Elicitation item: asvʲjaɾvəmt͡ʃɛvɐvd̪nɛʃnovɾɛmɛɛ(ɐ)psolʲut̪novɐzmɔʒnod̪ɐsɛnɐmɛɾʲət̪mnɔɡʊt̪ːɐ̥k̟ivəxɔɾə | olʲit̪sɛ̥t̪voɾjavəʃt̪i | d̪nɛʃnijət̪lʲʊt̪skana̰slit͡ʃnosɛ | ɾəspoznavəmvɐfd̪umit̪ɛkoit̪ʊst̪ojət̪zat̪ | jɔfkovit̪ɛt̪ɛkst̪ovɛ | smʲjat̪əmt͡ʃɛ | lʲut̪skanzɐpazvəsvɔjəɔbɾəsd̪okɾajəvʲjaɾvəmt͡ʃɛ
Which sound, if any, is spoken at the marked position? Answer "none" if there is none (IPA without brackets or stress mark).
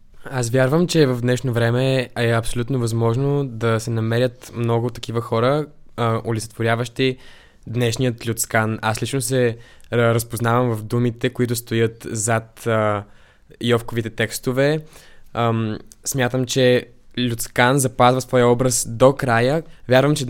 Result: ɐ